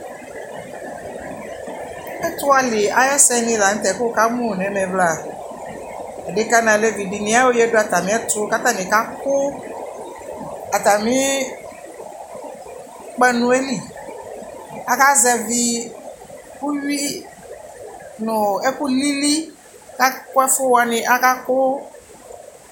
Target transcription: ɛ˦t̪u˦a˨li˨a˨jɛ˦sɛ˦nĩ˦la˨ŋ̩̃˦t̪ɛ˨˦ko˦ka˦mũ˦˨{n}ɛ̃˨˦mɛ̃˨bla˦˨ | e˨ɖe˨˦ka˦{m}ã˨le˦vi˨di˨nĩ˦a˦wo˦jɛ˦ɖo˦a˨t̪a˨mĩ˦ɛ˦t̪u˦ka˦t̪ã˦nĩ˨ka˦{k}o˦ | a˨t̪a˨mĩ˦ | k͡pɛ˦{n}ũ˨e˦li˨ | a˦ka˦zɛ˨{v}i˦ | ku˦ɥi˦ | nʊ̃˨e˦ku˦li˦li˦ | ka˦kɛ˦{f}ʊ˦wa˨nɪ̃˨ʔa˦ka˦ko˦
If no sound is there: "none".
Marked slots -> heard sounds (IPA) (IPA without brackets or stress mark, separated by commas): n, n, k, n, v, f